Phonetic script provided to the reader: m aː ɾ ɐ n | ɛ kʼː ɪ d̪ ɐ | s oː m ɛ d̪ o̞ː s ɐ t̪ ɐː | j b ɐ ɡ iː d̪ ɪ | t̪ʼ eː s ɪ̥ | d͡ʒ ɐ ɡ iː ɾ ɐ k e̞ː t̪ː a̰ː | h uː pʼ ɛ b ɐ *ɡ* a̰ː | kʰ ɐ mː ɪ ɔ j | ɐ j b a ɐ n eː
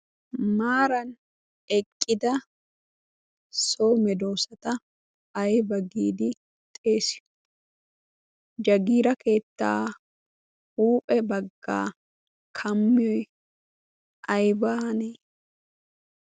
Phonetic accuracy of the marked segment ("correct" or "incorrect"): incorrect